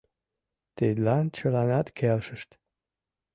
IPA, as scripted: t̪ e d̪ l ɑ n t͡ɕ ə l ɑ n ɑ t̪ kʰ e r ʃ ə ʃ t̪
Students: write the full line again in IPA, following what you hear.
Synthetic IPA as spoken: t̪ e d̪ l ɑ n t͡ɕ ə l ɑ n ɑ t̪ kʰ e l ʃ ə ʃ t̪